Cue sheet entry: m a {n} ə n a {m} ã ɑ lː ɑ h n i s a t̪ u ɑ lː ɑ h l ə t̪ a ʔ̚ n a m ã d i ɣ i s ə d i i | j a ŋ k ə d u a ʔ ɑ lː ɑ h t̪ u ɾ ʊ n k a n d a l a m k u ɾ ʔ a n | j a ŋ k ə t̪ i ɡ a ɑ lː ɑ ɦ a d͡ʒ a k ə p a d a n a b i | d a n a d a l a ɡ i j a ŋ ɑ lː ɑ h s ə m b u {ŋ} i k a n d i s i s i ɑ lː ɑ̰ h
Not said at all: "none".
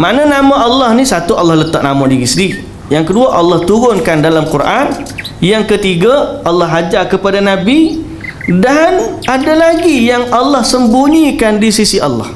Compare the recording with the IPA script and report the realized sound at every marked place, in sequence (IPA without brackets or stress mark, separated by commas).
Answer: n, m, ɲ